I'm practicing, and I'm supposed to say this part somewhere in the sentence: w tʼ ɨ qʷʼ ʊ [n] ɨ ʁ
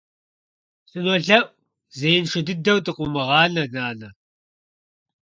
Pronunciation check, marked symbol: incorrect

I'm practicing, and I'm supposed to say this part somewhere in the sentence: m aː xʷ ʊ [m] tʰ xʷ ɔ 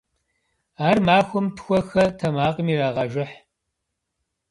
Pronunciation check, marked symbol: correct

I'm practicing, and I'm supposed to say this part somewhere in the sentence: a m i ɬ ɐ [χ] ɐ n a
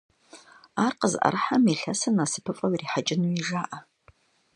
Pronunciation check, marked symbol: incorrect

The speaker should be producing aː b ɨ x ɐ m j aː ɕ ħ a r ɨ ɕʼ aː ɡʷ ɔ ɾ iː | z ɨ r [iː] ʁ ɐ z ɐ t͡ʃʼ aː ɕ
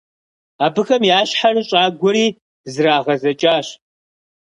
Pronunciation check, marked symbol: incorrect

